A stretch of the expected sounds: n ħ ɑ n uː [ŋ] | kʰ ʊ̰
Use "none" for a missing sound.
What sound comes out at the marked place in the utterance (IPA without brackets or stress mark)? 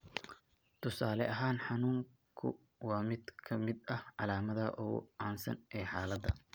ŋ